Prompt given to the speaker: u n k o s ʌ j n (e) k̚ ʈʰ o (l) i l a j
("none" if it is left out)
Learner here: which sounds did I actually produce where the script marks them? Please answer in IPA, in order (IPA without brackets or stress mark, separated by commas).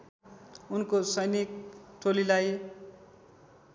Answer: i, l